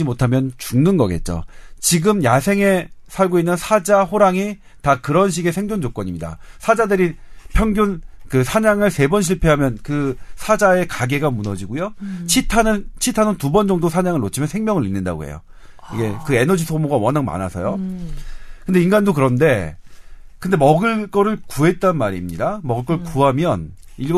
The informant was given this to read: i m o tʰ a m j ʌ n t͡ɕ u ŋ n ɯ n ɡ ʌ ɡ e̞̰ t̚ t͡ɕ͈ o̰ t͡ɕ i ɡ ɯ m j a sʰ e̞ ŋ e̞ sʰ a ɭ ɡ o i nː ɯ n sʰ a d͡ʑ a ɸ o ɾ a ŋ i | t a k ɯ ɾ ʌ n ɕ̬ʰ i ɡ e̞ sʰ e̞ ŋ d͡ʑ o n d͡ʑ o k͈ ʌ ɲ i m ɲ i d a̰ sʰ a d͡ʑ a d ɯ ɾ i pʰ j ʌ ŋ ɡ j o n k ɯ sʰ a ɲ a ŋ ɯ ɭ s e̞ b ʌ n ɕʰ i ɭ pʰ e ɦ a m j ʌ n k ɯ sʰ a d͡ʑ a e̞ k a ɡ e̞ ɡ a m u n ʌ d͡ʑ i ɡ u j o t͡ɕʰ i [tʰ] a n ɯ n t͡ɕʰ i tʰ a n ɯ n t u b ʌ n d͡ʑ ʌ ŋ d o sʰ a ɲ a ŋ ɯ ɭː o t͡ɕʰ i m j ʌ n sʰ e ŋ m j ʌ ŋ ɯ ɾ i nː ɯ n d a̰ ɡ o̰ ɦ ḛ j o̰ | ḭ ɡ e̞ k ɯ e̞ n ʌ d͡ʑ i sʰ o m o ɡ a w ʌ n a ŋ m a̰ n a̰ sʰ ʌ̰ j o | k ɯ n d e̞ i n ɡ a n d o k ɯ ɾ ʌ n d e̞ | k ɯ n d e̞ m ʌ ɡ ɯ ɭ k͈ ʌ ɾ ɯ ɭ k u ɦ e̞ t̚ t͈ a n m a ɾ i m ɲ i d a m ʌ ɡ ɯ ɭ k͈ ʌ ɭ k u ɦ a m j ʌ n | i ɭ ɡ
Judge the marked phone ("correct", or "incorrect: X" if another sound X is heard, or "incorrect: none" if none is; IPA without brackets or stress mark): correct